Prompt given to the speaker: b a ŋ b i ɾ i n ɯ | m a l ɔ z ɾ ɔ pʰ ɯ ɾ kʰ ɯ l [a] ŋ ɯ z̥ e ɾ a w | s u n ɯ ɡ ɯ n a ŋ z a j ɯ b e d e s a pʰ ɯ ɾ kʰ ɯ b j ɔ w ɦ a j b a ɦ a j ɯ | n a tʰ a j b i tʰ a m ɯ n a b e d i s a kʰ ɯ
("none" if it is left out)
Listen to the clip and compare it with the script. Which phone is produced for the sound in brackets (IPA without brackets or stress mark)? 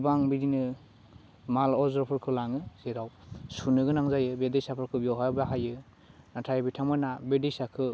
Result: a